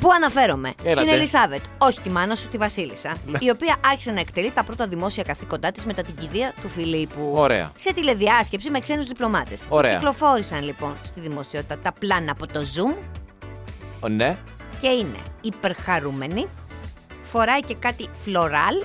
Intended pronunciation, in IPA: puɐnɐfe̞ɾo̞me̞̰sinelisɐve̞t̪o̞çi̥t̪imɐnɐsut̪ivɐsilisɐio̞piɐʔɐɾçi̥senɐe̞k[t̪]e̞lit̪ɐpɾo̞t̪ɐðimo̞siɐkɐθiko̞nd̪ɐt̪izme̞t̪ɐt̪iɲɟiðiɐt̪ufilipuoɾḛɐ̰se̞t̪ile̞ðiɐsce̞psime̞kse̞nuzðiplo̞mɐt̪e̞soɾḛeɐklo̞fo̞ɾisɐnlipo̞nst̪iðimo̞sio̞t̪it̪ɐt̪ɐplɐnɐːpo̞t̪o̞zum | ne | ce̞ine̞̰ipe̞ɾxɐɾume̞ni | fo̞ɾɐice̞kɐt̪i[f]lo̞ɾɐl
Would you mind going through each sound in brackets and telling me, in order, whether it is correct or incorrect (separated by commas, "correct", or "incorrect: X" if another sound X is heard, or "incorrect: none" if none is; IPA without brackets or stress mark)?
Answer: correct, correct